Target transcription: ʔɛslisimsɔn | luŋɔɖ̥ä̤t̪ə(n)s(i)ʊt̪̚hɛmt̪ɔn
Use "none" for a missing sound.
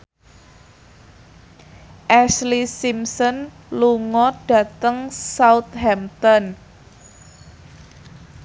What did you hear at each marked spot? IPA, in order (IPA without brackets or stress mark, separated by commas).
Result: ŋ, a